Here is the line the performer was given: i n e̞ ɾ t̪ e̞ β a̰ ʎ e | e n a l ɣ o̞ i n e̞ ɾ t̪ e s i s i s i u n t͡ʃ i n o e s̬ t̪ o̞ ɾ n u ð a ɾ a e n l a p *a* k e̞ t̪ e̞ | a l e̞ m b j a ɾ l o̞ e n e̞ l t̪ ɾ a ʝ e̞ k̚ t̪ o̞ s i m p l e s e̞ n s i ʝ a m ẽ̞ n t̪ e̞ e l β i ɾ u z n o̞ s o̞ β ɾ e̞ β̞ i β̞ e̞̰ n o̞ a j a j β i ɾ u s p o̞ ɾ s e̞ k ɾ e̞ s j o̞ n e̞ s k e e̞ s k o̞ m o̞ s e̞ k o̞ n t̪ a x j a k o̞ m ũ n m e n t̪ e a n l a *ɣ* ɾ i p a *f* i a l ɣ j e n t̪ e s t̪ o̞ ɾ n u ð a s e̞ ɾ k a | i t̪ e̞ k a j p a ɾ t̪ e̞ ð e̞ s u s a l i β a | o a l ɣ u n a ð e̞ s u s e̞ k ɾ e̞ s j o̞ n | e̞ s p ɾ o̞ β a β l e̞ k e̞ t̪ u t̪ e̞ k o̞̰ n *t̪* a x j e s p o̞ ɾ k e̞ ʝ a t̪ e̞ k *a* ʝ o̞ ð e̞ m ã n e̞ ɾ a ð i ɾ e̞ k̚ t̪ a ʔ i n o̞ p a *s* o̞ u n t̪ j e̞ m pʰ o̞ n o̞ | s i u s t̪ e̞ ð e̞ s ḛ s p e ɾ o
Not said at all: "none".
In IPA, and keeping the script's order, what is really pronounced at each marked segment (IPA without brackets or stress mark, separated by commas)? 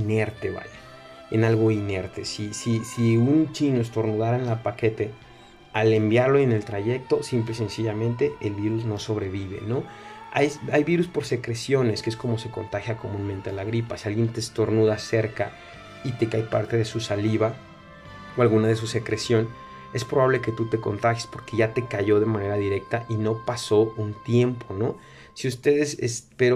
a, ɣ, s, t̪, a, s